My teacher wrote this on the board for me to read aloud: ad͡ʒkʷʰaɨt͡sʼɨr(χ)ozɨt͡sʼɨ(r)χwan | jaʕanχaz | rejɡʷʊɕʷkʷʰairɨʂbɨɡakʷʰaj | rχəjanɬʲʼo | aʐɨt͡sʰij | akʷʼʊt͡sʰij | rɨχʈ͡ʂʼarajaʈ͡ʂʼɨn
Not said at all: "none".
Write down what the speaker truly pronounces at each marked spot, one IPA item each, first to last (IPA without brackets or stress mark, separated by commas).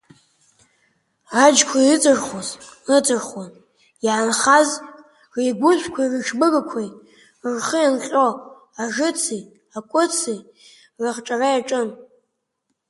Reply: χ, r